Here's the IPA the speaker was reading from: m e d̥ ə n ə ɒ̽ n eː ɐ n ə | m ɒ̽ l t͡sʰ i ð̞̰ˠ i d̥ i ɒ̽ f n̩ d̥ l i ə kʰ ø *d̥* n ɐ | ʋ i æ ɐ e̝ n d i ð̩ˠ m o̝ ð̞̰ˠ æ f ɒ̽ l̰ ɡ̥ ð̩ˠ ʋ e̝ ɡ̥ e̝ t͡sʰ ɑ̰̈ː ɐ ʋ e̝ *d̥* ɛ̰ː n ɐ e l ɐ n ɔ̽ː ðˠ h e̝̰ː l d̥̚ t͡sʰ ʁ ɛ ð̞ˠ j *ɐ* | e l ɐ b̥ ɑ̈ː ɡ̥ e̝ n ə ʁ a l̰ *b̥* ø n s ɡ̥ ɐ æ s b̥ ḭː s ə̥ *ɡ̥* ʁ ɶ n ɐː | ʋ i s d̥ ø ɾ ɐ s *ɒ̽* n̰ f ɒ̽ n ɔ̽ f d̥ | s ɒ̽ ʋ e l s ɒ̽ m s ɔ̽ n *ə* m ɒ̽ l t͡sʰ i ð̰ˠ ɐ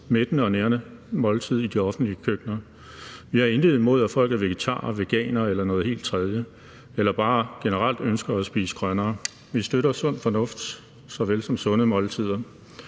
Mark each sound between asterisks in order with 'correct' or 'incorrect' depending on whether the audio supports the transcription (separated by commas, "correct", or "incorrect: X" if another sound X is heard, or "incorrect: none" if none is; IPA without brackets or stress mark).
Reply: incorrect: ɡ̥, incorrect: ɡ̥, incorrect: ə, incorrect: d̥, correct, incorrect: ɔ̽, correct